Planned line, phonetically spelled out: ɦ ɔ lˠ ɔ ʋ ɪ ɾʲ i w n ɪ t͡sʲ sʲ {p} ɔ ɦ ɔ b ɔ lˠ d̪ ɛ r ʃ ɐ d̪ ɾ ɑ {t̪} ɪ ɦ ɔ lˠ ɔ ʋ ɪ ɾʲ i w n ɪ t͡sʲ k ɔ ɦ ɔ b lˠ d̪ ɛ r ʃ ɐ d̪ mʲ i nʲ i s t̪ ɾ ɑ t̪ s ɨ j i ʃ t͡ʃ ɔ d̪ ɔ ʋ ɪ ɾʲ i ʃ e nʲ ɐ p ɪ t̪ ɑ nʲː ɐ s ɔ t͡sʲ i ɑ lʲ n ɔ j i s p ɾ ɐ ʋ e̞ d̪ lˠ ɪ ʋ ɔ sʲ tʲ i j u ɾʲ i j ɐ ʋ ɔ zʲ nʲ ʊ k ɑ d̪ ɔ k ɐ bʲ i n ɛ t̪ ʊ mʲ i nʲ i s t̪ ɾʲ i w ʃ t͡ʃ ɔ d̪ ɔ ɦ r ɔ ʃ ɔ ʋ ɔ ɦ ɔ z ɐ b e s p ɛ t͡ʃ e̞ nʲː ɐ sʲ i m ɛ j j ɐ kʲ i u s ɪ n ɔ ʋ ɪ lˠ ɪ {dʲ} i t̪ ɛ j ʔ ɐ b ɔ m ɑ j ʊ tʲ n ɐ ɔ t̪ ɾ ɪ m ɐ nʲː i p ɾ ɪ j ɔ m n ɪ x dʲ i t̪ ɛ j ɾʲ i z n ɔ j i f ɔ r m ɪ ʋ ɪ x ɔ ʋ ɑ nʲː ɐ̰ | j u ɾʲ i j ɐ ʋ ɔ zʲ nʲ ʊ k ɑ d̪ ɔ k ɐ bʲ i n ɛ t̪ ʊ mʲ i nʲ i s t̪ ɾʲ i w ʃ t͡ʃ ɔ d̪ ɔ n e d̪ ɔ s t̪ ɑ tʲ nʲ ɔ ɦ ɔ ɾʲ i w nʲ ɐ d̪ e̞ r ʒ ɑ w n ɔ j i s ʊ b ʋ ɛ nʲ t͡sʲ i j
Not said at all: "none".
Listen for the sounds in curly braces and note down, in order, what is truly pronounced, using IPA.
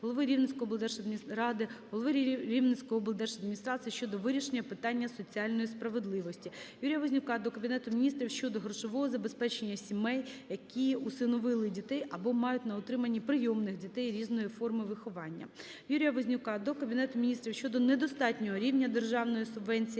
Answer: k, d̪, dʲ

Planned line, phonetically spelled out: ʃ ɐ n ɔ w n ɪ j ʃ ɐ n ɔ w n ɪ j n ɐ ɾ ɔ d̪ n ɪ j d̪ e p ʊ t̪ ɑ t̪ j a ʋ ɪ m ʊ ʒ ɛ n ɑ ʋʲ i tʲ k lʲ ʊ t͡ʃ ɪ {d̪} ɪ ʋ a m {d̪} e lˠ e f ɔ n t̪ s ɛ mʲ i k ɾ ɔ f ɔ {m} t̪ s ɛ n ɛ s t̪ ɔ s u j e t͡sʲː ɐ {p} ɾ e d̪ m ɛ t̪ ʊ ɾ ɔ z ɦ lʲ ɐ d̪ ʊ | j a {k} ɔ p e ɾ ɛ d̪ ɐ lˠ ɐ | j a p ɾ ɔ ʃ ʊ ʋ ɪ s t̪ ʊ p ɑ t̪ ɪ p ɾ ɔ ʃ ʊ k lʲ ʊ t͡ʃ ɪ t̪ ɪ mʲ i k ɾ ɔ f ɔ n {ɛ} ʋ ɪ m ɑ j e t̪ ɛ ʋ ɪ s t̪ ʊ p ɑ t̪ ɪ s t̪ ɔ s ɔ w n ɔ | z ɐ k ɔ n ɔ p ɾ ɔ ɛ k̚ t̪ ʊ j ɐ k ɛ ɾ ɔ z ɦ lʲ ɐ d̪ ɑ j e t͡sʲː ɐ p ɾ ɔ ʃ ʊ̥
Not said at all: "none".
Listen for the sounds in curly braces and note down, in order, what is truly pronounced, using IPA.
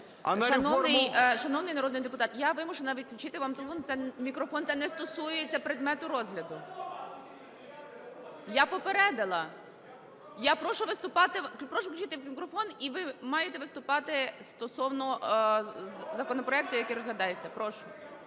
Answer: t̪, t̪, n, p, p, i

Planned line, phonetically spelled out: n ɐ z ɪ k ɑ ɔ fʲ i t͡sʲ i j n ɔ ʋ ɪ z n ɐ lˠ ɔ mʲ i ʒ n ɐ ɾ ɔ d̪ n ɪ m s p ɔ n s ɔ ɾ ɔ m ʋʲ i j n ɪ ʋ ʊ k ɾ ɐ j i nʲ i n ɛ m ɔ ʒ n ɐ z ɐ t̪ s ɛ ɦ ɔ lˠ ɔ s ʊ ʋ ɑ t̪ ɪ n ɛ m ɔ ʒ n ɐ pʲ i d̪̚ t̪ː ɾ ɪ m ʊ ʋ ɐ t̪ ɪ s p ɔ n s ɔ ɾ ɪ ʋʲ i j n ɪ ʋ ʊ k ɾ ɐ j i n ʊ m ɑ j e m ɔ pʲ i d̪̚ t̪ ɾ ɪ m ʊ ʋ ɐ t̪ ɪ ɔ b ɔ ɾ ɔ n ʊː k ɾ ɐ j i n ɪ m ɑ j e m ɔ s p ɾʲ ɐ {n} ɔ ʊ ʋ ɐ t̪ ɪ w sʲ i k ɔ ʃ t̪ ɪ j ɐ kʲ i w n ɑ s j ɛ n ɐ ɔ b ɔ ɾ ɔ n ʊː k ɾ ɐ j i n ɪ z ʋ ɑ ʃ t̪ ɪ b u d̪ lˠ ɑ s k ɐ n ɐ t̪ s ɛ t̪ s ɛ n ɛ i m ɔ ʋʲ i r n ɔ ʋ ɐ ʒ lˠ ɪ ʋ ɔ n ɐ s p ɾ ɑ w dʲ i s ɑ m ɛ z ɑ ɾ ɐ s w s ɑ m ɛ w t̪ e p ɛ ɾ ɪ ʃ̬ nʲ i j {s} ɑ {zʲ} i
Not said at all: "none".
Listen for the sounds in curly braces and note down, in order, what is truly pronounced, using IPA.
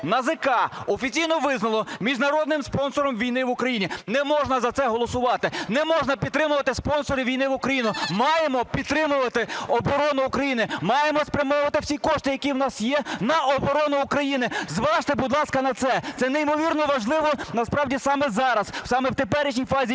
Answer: m, f, zʲ

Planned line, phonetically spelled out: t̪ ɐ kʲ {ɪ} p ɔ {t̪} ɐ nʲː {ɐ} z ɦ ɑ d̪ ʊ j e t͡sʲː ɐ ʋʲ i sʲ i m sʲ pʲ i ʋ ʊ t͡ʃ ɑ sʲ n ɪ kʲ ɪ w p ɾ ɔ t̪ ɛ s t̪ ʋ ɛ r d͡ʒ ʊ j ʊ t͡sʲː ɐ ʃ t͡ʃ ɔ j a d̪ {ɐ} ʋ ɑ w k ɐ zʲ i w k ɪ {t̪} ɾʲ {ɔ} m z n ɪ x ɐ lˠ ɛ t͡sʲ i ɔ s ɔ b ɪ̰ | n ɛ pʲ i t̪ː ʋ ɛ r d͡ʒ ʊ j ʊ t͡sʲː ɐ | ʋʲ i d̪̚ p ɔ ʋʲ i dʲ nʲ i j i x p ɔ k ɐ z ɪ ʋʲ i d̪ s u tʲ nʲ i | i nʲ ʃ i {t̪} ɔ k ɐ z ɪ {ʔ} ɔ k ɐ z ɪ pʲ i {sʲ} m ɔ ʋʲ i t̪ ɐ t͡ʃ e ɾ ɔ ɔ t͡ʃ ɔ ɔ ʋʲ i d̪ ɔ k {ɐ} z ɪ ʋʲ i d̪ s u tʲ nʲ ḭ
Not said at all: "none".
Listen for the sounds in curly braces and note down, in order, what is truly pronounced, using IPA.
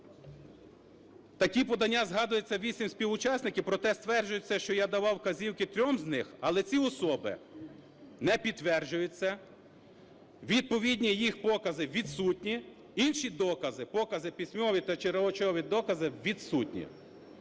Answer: i, d̪, a, ɐ, t̪, ɔ, d̪, p, sʲ, ɐ

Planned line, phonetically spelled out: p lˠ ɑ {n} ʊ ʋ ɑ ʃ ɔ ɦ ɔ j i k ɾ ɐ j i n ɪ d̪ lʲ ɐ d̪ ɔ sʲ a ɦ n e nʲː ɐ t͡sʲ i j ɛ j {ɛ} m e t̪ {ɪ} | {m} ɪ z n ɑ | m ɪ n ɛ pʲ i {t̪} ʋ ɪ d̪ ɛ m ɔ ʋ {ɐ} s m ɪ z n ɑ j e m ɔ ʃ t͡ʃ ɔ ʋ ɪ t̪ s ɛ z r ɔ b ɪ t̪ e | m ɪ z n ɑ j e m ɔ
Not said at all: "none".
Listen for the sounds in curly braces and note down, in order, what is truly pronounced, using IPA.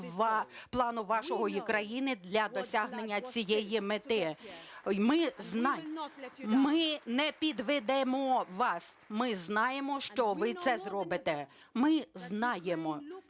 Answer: n, i, ɪ, m, d̪, ɑ

